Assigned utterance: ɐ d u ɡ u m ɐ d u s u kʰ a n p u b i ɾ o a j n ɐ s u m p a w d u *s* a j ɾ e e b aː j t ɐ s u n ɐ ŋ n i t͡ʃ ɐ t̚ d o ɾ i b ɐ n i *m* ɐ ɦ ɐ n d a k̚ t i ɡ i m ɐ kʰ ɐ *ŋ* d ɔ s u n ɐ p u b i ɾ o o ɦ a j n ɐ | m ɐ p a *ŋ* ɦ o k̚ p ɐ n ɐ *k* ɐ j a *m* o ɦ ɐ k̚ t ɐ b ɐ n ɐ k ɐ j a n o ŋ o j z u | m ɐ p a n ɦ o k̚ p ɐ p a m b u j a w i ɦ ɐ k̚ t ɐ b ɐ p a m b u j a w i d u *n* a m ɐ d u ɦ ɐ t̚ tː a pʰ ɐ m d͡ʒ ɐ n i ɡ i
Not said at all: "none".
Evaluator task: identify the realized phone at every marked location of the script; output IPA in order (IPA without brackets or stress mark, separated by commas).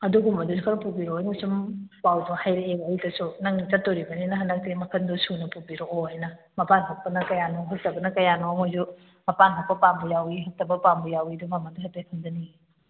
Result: h, n, n, n, k, n, m